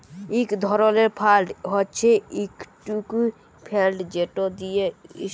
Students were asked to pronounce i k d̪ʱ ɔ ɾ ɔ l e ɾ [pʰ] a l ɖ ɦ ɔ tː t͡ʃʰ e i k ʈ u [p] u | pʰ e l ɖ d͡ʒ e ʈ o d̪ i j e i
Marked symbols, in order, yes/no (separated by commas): yes, no